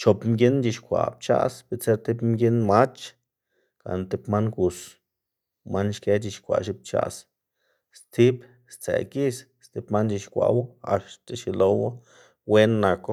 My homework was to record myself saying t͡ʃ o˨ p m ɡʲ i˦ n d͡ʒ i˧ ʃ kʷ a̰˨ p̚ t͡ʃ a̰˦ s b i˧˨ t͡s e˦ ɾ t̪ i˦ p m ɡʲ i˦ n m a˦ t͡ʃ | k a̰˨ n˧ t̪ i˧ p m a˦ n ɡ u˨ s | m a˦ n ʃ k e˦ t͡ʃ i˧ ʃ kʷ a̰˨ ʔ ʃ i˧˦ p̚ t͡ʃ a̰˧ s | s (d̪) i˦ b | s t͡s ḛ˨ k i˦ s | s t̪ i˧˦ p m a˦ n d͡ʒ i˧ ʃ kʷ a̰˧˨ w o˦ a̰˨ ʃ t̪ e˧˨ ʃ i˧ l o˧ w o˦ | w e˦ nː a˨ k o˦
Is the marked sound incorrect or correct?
incorrect